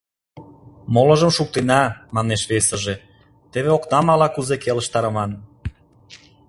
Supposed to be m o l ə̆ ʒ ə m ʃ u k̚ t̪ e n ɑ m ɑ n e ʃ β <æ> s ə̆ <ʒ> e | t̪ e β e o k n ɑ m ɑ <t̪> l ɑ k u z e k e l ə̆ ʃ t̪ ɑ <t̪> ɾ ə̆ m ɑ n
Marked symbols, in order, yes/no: no, yes, no, no

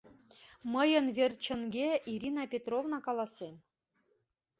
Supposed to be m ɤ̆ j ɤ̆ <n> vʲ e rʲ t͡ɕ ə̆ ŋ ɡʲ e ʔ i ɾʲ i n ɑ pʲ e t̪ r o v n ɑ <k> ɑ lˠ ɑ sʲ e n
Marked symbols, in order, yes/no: yes, yes

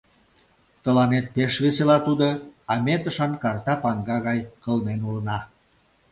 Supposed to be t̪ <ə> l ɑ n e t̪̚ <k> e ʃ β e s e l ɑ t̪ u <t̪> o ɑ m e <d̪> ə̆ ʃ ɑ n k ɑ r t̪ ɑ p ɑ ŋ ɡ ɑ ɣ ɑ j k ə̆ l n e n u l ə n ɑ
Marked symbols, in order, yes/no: yes, no, no, no

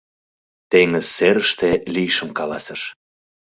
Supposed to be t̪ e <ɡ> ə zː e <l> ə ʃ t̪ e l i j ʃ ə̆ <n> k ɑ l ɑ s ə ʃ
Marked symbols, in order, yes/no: no, no, no

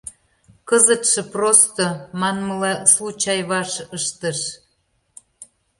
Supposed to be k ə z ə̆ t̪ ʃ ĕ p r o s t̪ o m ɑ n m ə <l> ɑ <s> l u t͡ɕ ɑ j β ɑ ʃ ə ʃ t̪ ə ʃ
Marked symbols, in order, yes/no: yes, yes

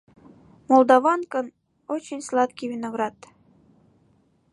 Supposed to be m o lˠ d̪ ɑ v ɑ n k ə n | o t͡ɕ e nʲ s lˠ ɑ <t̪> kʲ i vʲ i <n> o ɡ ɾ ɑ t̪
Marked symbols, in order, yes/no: yes, yes

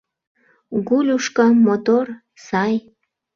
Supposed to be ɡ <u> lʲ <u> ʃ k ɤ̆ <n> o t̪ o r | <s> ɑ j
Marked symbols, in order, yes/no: yes, yes, no, yes

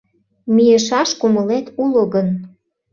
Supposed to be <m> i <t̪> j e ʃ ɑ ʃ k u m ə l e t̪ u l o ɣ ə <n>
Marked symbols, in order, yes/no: yes, no, yes

